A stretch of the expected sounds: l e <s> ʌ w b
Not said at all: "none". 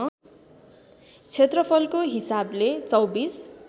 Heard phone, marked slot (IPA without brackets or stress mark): t͡s